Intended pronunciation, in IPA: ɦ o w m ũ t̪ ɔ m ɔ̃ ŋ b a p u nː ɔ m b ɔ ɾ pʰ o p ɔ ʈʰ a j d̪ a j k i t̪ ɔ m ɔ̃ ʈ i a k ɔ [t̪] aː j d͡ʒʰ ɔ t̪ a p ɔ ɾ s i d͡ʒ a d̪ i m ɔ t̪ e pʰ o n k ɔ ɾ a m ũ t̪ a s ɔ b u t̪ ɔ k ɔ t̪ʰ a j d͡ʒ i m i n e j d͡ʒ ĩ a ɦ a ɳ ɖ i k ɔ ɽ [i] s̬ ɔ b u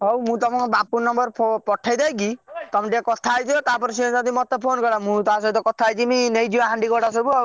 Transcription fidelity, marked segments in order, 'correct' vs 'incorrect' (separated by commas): incorrect, incorrect